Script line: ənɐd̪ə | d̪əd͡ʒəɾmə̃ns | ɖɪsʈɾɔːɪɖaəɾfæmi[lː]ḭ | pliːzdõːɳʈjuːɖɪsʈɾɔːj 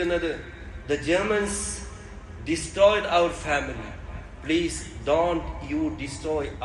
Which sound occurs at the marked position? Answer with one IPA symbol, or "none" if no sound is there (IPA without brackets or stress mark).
l